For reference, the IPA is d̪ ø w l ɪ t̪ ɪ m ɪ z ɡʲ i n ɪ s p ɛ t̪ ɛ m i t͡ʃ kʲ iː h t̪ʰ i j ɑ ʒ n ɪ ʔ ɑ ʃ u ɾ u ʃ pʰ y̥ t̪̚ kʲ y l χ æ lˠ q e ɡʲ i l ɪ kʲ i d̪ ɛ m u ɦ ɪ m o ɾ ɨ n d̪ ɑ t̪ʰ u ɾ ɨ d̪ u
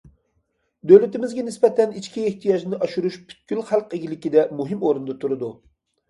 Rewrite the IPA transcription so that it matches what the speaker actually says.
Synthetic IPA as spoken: d̪ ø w l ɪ t̪ ɪ m ɪ z ɡʲ ɛ n ɪ s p ɛ t̪ ɛ n i t͡ʃ kʲ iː h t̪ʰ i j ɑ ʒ n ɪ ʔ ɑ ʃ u ɾ u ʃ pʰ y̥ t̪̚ kʲ y l χ æ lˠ q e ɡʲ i l ɪ kʲ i d̪ ɛ m u ɦ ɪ m o ɾ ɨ n d̪ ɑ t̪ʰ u ɾ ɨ d̪ u